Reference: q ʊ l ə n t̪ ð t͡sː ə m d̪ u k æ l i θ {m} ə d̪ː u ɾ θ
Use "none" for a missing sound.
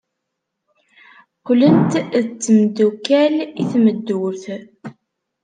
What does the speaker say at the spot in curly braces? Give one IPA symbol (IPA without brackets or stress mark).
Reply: m